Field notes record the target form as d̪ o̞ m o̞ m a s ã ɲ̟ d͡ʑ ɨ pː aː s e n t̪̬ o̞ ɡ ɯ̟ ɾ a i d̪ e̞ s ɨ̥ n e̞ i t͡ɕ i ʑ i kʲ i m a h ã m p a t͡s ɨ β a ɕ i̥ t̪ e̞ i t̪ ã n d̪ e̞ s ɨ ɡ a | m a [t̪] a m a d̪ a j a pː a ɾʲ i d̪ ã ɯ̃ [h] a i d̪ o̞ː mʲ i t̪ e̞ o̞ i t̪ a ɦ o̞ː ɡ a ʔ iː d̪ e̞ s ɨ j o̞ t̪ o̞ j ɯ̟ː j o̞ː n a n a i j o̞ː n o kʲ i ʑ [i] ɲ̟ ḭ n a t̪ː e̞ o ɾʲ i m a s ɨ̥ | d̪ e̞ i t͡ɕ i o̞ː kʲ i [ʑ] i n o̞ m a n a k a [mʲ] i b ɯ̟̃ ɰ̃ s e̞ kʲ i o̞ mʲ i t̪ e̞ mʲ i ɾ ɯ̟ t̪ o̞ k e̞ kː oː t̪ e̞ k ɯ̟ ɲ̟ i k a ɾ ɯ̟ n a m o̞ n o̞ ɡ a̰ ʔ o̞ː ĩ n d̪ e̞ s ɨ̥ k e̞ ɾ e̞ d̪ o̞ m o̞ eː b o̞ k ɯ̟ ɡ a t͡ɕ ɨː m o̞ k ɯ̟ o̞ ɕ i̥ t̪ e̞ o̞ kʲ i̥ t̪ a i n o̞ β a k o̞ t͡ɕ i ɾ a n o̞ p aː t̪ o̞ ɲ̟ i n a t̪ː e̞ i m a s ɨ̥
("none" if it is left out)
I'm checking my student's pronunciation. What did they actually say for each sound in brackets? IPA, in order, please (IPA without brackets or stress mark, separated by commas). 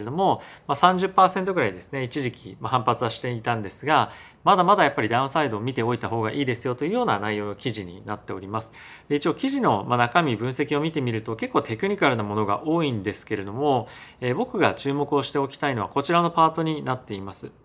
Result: d̪, s, i, ʑ, mʲ